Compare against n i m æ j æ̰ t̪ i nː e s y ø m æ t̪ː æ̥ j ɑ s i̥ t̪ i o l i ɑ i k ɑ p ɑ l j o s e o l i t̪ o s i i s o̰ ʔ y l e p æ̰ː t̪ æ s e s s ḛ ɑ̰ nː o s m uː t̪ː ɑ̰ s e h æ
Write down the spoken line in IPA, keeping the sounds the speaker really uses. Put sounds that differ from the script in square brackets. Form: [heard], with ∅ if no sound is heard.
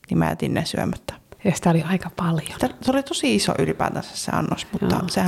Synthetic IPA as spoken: n i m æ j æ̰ t̪ i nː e s y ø m æ t̪ː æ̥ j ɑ s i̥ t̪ [æ] o l i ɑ i k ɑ p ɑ l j o s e o l i t̪ o s i i s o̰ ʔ y l [i] p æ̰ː t̪ æ s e s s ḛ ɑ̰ nː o s m [u] t̪ː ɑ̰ s e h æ